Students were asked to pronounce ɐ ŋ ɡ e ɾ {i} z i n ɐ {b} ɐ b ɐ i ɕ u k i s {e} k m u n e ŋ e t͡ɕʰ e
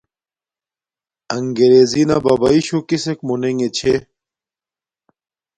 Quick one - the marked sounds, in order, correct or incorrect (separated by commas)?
incorrect, correct, correct